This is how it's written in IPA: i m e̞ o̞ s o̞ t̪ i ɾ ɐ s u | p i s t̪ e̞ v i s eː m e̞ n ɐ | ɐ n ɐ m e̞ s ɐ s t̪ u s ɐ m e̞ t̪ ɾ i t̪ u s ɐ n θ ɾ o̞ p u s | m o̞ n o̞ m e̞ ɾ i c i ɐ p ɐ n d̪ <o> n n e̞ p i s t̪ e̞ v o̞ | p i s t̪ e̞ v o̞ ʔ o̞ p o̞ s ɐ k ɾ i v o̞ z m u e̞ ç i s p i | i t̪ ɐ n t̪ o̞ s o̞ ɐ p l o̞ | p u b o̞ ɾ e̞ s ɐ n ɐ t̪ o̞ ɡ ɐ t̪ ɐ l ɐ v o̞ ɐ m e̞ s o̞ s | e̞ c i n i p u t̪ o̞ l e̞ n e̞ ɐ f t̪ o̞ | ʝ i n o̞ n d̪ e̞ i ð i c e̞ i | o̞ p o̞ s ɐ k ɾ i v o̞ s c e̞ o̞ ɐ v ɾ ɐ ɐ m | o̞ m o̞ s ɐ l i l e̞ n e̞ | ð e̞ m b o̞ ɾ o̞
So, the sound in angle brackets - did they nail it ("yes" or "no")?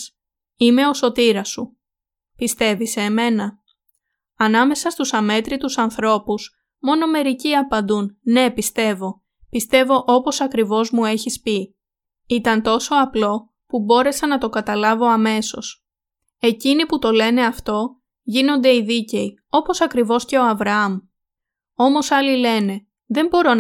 no